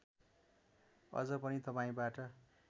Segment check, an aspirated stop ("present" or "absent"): absent